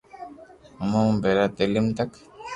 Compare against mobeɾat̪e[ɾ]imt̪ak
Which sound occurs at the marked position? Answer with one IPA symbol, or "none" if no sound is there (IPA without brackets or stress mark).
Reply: l